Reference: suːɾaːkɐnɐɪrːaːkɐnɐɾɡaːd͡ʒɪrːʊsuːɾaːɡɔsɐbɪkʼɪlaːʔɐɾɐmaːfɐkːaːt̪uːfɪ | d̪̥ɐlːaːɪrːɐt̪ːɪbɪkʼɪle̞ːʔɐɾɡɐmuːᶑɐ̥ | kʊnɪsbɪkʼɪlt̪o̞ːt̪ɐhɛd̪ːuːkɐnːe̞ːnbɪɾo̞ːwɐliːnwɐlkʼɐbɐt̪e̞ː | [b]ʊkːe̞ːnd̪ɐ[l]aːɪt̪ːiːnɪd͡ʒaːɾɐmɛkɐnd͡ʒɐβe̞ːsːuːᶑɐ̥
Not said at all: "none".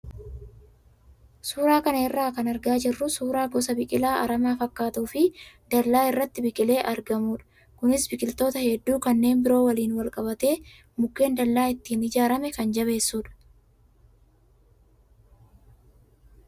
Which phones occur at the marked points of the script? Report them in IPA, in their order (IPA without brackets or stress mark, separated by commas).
m, lː